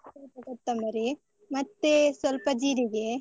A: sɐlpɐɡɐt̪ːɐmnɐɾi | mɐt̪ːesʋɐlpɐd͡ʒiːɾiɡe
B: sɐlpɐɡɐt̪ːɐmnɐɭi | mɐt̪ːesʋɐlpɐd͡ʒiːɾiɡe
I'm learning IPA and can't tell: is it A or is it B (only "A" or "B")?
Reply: A